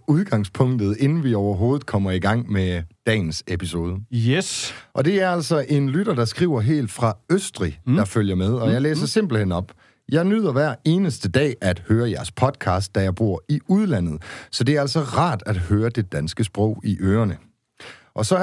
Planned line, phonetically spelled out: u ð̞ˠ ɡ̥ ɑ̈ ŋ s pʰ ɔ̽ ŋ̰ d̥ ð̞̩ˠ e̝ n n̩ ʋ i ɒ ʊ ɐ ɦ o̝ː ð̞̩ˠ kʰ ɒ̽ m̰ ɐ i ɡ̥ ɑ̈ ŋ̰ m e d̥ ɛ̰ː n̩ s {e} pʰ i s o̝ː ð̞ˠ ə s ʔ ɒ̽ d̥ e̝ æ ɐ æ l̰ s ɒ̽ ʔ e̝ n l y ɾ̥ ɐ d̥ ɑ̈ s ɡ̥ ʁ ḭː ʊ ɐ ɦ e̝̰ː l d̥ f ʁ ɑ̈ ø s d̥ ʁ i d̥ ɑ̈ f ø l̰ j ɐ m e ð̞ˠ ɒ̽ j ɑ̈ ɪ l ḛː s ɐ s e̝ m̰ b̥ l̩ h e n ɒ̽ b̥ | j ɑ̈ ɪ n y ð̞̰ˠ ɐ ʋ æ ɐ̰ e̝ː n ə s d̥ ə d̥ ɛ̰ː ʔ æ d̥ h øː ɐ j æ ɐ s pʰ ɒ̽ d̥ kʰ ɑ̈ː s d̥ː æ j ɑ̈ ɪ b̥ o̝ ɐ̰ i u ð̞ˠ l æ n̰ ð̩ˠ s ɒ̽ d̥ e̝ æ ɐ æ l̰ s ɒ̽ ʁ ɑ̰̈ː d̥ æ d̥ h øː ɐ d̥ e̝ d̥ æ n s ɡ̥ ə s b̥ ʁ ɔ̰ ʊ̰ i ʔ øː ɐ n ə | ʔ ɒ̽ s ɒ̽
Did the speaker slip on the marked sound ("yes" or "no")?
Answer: no